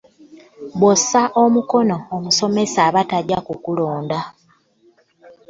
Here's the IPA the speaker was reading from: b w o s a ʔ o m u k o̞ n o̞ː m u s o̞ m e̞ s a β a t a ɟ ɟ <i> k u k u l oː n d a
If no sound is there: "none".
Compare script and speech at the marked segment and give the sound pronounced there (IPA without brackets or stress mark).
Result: a